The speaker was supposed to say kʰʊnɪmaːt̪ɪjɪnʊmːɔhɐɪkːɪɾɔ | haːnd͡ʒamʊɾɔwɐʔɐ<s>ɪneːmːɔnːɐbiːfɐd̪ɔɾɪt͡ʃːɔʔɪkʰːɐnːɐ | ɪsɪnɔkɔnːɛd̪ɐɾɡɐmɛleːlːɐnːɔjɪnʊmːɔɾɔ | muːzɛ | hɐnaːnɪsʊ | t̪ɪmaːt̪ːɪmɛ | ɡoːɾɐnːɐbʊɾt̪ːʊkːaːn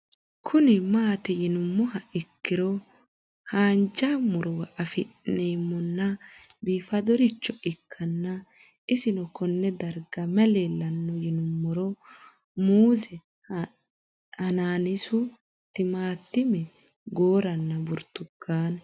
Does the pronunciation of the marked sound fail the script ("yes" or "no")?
yes